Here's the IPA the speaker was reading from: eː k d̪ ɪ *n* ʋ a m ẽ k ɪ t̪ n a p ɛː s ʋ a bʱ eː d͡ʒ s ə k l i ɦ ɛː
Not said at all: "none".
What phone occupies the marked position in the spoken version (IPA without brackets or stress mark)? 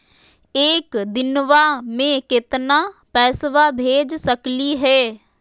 n